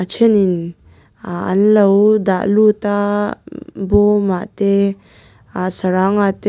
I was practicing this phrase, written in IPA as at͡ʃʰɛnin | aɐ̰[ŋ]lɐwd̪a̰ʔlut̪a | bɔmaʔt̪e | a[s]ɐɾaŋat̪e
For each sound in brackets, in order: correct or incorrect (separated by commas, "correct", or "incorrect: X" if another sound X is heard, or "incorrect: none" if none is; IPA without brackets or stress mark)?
incorrect: n, correct